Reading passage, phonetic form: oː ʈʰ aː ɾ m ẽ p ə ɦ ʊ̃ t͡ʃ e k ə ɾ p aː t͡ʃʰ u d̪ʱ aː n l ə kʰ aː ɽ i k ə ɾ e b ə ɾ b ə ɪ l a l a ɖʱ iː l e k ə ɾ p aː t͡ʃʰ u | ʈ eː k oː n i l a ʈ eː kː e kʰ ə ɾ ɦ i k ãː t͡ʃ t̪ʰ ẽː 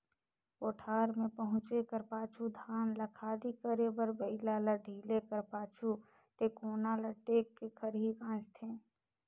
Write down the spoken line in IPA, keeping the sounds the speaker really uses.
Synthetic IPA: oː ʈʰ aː ɾ m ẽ p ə ɦ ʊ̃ t͡ʃ e k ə ɾ p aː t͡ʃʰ u d̪ʱ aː n l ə kʰ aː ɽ i k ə ɾ e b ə ɾ b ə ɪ l a l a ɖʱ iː l e k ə ɾ p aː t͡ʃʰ u | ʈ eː k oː n a l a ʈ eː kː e kʰ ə ɾ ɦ i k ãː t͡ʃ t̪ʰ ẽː